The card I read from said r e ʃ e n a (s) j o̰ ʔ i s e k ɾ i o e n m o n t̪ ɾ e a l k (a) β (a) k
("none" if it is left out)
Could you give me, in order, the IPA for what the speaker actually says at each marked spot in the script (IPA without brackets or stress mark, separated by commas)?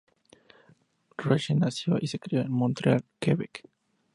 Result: s, e, e